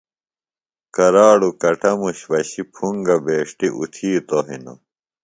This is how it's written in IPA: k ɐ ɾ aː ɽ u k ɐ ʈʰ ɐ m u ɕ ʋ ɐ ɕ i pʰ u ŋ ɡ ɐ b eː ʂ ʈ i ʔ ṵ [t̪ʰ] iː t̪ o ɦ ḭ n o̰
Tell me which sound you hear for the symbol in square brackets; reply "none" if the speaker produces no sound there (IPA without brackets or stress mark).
t̪ʰ